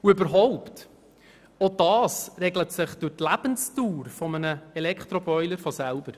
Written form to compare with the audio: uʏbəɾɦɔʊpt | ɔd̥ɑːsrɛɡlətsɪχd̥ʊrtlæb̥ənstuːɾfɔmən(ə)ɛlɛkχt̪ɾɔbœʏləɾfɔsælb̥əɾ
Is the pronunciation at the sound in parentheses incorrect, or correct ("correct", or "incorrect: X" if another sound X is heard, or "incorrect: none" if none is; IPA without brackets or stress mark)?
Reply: correct